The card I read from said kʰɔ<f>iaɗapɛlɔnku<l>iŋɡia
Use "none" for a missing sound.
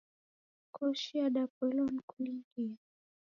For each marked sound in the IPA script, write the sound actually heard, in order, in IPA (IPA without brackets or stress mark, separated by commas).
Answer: ʃ, l